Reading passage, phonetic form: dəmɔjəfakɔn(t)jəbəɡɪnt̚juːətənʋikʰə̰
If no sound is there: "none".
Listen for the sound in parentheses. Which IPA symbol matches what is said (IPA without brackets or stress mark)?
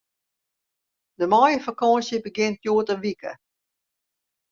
s